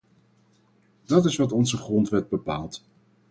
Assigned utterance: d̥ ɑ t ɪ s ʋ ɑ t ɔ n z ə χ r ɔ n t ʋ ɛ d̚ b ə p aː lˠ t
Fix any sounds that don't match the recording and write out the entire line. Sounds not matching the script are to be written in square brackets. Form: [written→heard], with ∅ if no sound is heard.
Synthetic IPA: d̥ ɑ t ɪ s ʋ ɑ t ɔ n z ə χ r ɔ n t ʋ ɛ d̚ b ə p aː lˠ t